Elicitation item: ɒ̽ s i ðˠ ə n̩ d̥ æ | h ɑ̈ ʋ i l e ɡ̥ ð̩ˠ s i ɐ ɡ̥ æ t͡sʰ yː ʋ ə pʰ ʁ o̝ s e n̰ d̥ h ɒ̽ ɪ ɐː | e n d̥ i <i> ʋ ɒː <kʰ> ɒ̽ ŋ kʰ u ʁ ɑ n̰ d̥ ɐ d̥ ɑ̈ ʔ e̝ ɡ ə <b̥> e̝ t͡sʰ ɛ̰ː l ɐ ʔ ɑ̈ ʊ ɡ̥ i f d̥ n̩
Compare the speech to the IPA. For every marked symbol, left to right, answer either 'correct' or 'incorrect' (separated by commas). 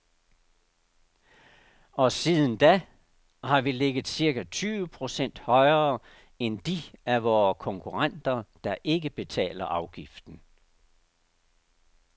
incorrect, correct, correct